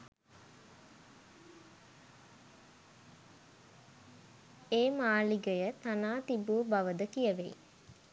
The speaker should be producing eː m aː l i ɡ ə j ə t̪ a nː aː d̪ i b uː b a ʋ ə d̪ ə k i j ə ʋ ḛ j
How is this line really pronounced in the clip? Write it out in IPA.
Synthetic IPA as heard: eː m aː l i ɡ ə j ə t̪ a n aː t̪ i b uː b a ʋ ə d̪ ə k i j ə ʋ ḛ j